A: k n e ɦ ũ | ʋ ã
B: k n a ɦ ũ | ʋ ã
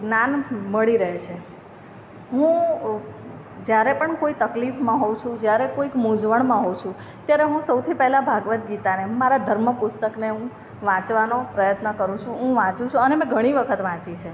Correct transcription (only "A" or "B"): A